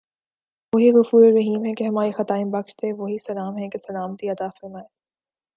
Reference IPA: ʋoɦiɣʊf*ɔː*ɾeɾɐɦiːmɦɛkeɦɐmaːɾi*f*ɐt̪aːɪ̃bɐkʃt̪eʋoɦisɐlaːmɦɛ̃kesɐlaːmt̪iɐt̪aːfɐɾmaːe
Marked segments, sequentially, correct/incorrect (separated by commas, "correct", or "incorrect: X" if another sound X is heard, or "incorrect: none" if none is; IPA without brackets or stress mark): incorrect: uː, incorrect: x